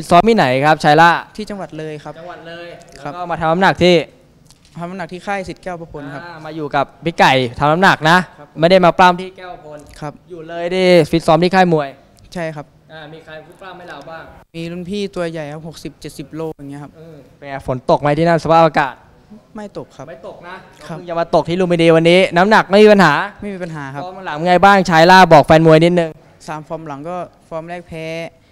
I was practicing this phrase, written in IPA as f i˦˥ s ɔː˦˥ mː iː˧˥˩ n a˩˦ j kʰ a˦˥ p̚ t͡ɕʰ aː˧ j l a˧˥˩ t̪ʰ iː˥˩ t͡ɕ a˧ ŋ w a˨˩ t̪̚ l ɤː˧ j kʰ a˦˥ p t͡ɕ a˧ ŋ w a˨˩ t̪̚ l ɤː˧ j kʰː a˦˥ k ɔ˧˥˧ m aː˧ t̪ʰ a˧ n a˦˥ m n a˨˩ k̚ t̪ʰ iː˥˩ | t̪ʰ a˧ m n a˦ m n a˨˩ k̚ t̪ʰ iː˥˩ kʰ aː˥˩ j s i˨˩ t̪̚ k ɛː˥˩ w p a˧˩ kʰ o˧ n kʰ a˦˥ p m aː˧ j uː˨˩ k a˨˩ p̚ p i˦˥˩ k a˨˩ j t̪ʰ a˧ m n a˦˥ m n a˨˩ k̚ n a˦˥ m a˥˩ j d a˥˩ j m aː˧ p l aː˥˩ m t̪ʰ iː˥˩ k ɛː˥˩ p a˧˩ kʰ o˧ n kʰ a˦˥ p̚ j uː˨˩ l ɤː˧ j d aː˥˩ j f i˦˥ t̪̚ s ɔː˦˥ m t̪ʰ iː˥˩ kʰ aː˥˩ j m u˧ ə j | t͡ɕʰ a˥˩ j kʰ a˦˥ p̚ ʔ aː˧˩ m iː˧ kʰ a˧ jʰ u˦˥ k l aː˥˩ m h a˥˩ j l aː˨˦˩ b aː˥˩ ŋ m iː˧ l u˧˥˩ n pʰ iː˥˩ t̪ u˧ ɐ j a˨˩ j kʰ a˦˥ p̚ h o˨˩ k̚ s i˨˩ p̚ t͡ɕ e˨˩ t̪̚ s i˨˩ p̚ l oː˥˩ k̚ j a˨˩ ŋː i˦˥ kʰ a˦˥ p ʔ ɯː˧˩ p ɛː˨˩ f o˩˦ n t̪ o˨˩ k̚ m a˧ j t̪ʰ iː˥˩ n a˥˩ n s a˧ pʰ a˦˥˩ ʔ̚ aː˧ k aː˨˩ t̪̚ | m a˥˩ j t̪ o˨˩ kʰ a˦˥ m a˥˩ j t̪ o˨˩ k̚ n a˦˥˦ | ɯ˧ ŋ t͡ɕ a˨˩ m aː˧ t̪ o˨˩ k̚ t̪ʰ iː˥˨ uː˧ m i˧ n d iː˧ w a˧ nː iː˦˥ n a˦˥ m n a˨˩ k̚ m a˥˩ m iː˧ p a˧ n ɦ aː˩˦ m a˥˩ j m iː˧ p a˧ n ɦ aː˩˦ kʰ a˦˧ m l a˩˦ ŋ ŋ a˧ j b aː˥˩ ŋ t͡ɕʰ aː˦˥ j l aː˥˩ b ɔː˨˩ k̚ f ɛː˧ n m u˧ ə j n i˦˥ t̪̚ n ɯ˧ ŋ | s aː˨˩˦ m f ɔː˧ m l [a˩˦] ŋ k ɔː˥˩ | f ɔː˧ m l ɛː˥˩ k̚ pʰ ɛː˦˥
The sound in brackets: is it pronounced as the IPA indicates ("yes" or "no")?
yes